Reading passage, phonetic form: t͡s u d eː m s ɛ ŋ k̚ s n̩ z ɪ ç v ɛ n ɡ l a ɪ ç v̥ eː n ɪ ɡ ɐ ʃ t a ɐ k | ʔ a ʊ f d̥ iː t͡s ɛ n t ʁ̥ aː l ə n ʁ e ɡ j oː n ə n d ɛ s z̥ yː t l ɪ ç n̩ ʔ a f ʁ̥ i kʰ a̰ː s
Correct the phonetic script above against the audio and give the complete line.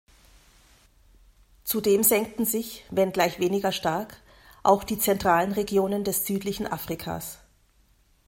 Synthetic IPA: t͡s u d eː m z ɛ ŋ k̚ t n̩ z ɪ ç v ɛ n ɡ l a ɪ ç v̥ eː n ɪ ɡ ɐ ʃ t a ɐ k | ʔ a ʊ x d̥ iː t͡s ɛ n t ʁ̥ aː l ə n ʁ e ɡ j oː n ə n d ɛ s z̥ yː t l ɪ ç n̩ ʔ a f ʁ̥ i kʰ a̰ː s